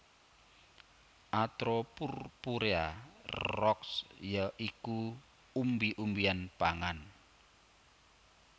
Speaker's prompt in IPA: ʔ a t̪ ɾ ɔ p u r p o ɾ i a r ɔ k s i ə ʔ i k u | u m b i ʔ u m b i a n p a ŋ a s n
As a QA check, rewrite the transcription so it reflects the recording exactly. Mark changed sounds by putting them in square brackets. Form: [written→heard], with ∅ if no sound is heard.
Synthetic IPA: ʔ a t̪ ɾ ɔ p u r p [o→u] ɾ [i→e] a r ɔ k s [i→j] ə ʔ i k u | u m b i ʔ u m b i a n p a ŋ a [s→∅] n